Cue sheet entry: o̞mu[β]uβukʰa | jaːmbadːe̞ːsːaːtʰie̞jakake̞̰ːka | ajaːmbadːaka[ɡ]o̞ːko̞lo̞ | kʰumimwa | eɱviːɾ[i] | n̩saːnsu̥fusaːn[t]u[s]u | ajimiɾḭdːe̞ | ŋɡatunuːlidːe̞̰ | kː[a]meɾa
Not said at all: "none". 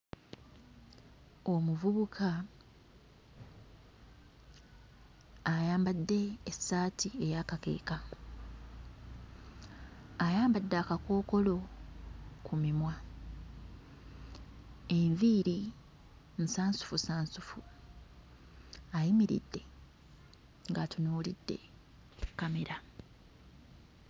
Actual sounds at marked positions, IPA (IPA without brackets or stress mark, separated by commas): v, k, i, s, f, a